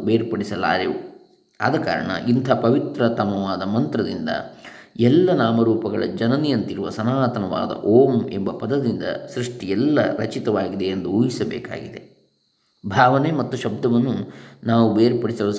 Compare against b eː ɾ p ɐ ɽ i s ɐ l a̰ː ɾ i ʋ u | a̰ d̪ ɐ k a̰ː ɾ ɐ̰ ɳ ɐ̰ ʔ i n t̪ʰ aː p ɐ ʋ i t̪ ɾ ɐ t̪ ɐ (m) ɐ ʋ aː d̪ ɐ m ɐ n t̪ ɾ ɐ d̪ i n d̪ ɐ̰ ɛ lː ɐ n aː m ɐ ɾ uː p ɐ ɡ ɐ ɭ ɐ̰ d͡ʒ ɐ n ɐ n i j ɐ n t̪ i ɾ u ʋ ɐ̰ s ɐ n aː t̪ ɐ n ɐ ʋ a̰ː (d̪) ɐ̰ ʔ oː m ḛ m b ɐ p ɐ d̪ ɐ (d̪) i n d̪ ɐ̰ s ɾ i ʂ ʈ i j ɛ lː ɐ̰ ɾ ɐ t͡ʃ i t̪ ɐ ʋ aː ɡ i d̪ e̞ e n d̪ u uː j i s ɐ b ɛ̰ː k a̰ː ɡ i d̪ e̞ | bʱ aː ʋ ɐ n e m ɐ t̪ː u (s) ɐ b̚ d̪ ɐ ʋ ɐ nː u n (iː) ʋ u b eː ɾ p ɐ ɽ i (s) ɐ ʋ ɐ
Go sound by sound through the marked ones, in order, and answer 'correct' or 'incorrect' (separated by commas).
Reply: correct, correct, correct, incorrect, incorrect, correct